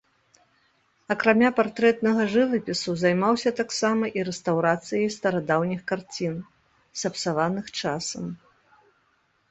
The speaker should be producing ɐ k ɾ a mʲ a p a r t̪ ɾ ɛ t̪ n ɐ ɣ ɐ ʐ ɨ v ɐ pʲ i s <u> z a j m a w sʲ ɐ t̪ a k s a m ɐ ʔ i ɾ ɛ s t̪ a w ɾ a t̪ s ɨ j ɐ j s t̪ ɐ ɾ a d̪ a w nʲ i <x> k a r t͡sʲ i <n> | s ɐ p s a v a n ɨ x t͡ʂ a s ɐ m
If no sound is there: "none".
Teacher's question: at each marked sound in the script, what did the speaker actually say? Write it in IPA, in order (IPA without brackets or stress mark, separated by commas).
u, x, n